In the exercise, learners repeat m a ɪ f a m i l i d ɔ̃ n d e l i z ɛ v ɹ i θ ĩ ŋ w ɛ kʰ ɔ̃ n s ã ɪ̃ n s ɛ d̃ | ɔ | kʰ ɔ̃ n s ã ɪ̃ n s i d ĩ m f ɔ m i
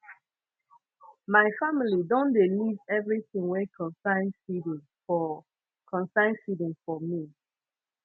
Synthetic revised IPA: m a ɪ f a m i l i d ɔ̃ n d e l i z ɛ v ɹ i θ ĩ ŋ w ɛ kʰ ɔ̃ n s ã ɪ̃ n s i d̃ | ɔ | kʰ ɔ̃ n s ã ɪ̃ n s i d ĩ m f ɔ m i